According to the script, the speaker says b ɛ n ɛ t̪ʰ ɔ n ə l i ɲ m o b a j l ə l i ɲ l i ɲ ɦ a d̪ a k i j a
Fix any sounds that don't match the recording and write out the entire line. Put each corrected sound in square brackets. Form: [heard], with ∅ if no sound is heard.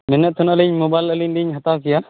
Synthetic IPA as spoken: [m] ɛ n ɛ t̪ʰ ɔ n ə l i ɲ m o b a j l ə l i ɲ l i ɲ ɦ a [t̪] a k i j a